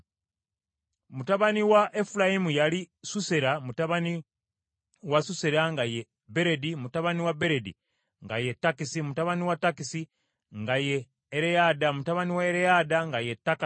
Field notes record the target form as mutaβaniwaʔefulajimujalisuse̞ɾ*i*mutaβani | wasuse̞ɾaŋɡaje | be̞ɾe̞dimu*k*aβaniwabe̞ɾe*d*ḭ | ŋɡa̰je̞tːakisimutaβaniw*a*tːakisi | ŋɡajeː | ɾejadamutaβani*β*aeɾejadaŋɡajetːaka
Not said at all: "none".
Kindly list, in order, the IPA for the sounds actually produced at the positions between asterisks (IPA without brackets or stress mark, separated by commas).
a, t, d, a, w